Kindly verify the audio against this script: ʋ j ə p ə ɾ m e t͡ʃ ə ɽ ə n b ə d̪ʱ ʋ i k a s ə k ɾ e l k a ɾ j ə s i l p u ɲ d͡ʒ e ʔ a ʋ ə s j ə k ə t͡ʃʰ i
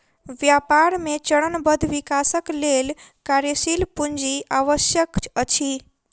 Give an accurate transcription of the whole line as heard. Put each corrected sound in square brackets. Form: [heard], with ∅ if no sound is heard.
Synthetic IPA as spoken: ʋ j [a] p [a] ɾ m e t͡ʃ ə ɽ ə n b ə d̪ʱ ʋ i k a s ə k [l] e l k a ɾ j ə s i l p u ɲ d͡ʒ [i] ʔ a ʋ ə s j ə k ə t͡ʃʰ i